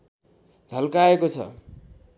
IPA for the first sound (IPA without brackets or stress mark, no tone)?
d͡zʱ